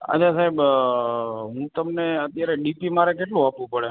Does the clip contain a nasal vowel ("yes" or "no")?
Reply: yes